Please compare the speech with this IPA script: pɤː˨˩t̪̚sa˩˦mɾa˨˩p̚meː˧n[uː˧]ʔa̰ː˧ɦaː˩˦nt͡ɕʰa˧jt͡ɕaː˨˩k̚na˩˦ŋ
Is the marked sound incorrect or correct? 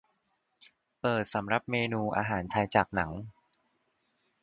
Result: correct